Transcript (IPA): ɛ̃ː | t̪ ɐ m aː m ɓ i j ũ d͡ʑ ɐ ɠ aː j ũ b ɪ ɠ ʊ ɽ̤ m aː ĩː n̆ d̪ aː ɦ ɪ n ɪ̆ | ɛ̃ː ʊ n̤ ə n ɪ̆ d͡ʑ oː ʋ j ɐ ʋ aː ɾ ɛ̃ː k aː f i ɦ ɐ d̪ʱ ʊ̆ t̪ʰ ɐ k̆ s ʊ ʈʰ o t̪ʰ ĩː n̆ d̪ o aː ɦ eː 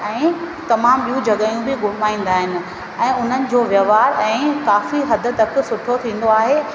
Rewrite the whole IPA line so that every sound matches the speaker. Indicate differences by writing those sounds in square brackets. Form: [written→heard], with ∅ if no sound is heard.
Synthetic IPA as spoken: ɛ̃ː | t̪ ɐ m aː m ɓ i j ũ d͡ʑ ɐ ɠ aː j ũ b ɪ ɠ ʊ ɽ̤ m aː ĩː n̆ d̪ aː ɦ ɪ n ɪ̆ | ɛ̃ː ʊ n̤ ə n ɪ̆ d͡ʑ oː ʋ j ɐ ʋ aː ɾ ɛ̃ː k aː f i ɦ ɐ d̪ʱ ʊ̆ [t̪ʰ→t̪] ɐ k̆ s ʊ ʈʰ o t̪ʰ ĩː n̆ d̪ o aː ɦ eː